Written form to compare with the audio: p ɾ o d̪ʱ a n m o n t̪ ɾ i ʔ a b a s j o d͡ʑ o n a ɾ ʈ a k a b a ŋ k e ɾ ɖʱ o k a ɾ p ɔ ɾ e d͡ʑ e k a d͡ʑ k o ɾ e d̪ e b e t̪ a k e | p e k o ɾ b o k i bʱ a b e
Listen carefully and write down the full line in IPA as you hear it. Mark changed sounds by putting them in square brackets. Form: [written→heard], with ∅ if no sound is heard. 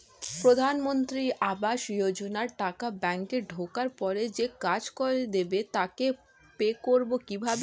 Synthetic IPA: p ɾ o d̪ʱ a n m o n t̪ ɾ i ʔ a b a [s→ʃ] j o d͡ʑ o n a ɾ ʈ a k a b [a→ɛ] ŋ k e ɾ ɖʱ o k a ɾ p ɔ ɾ e d͡ʑ e k a d͡ʑ k o ɾ e d̪ e b e t̪ a k e | p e k o ɾ b o k i bʱ a b e